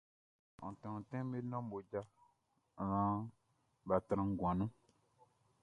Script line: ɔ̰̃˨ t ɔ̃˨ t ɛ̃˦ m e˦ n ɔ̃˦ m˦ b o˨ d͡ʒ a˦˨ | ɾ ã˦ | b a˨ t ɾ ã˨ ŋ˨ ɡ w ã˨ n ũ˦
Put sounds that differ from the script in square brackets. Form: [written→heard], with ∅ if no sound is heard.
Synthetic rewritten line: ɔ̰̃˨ t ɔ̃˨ t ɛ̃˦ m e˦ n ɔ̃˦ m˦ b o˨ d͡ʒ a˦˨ | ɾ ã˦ | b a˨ t ɾ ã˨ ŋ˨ ɡ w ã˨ n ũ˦